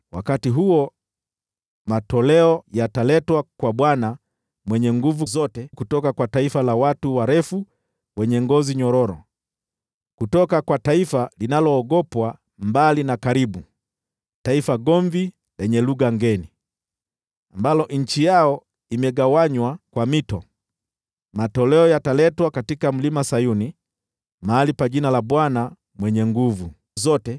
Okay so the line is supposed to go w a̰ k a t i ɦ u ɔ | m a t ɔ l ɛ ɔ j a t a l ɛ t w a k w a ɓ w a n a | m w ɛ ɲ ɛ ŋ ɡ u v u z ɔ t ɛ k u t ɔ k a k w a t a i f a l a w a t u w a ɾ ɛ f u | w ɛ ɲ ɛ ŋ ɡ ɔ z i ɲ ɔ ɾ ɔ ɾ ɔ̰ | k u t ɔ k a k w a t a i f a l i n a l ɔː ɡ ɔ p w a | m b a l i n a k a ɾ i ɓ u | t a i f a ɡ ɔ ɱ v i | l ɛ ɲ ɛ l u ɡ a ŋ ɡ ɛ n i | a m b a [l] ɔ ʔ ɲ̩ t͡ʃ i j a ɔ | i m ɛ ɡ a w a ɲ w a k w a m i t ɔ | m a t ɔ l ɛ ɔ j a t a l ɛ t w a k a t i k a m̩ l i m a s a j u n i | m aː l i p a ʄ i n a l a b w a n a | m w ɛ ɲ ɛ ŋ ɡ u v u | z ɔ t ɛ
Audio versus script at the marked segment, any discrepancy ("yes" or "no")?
no